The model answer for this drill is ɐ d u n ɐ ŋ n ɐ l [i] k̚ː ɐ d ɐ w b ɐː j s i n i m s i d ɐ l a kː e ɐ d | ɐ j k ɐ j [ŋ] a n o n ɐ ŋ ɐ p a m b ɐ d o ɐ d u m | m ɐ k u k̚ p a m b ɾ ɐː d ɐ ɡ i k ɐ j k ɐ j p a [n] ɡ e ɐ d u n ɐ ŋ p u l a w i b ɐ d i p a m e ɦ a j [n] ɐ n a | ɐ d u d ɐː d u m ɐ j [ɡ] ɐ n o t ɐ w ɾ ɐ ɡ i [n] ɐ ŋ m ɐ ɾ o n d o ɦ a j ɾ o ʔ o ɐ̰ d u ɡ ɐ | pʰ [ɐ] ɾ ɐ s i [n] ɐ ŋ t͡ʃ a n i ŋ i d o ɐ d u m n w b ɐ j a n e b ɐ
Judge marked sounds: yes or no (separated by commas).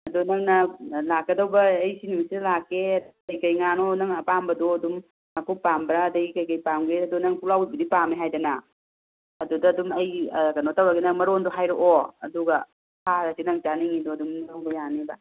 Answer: no, yes, no, no, no, yes, no, yes